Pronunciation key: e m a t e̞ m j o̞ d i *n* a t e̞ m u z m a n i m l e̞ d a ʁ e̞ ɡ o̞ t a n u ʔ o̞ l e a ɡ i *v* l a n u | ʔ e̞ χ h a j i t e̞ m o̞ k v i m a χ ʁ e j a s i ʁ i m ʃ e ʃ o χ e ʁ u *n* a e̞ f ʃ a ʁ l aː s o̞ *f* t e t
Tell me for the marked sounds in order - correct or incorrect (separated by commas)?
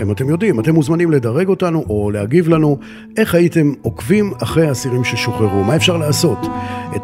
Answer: incorrect, correct, incorrect, incorrect